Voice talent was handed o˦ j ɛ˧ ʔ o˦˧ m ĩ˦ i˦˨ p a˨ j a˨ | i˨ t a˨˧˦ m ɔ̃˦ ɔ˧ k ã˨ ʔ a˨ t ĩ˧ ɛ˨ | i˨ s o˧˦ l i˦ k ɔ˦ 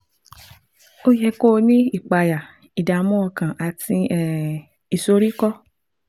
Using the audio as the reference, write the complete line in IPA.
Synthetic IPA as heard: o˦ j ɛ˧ k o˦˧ n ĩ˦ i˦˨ k͡p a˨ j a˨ | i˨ d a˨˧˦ m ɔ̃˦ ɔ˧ k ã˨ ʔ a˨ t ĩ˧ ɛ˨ | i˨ s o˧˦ ɾ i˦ k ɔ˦